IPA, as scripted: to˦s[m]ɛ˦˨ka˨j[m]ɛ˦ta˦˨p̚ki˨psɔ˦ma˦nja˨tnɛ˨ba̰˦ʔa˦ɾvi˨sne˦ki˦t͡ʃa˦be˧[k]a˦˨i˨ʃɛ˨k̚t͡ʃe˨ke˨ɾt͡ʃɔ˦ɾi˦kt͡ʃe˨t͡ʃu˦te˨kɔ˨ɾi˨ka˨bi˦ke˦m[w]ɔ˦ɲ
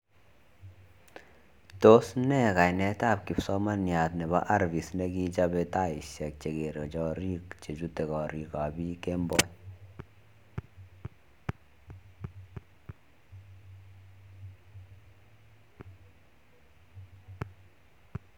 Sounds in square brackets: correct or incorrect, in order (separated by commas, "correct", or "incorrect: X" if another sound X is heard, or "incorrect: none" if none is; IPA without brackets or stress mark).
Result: incorrect: n, incorrect: n, incorrect: t, incorrect: b